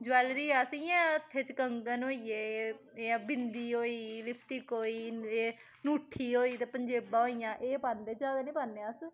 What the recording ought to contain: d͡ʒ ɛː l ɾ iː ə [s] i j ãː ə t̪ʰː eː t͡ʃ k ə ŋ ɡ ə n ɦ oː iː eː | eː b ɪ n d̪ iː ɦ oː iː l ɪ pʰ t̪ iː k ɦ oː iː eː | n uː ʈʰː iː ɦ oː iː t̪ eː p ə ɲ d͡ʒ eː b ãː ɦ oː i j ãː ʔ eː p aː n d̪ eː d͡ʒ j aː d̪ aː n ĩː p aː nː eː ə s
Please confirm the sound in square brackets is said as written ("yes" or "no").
yes